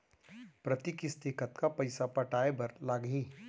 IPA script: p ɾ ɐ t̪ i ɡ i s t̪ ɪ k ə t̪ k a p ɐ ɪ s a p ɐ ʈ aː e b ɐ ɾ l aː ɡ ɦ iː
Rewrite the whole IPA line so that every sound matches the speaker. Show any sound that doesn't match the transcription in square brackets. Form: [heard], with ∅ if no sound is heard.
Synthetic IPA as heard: p ɾ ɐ t̪ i [k] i s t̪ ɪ k ə t̪ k a p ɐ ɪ s a p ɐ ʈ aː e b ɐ ɾ l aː ɡ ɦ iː